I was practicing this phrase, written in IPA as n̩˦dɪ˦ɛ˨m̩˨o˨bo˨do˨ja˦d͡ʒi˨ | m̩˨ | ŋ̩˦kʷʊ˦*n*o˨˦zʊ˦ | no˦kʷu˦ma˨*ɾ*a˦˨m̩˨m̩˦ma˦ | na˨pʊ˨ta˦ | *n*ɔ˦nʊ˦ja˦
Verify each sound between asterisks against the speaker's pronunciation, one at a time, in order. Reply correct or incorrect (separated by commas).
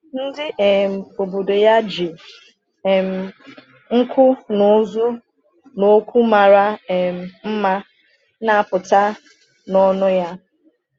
correct, correct, correct